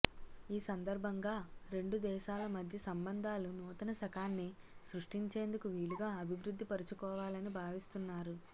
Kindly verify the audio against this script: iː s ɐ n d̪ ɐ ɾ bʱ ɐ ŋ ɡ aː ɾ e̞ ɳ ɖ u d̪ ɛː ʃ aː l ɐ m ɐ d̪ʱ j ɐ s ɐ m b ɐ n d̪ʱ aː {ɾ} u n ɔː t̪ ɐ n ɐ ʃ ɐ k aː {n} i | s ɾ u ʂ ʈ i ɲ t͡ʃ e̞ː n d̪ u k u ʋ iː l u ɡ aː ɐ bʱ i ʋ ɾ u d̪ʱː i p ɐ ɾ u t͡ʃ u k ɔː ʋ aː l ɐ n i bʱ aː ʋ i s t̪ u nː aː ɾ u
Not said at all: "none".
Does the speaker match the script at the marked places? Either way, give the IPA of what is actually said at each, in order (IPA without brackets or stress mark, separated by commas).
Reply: l, nː